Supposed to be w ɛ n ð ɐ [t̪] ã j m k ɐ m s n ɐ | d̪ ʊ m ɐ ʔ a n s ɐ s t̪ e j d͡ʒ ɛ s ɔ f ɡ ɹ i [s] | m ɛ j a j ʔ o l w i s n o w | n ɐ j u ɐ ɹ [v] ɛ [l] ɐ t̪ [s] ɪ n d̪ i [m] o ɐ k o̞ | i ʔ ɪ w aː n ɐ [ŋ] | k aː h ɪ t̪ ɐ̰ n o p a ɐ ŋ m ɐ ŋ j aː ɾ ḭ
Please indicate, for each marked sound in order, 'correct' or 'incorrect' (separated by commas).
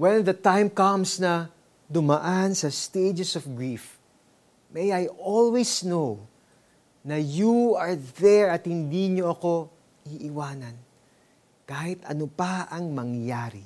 correct, incorrect, incorrect, incorrect, incorrect, incorrect, incorrect